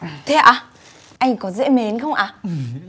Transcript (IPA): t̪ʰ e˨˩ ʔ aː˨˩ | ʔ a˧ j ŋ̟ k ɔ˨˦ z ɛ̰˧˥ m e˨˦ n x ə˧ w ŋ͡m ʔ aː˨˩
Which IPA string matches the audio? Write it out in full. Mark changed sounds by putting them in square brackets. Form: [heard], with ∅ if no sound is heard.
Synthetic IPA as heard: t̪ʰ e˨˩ ʔ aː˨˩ | ʔ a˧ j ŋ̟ k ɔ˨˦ z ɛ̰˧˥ m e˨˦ n x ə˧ w ŋ͡m ʔ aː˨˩